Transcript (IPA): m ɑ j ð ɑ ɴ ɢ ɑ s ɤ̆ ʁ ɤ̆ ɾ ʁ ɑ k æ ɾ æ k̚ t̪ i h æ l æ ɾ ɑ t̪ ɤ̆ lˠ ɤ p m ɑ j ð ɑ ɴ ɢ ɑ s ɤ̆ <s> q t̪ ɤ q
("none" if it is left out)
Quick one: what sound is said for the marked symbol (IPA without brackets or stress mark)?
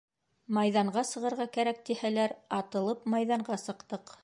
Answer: none